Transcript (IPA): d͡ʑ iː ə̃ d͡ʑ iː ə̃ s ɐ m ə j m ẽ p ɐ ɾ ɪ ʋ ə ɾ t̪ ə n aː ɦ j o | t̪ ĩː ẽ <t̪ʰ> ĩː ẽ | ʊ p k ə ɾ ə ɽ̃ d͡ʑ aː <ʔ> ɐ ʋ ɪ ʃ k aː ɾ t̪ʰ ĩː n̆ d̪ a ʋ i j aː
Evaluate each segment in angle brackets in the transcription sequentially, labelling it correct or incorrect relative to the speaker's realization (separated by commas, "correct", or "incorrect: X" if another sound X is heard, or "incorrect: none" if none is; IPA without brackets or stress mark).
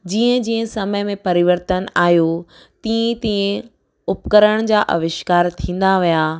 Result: incorrect: t̪, correct